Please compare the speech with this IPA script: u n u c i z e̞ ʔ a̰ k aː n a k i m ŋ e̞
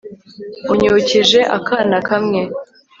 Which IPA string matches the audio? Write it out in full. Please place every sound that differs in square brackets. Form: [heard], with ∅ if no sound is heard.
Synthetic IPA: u [ɲ] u c i [ʒ] e̞ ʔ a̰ k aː n a k [a] m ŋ e̞